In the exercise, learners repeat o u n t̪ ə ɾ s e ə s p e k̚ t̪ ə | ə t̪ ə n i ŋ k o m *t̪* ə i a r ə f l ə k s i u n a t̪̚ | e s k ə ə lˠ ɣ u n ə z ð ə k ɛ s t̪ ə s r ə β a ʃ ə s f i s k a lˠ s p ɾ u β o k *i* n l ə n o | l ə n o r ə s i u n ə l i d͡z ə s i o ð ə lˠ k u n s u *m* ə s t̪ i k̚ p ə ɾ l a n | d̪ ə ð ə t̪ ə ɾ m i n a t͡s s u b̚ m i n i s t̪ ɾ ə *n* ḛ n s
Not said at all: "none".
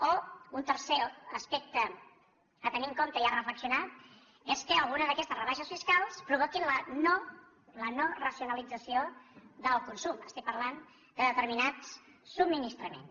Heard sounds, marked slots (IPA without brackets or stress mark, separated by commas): t̪, i, m, m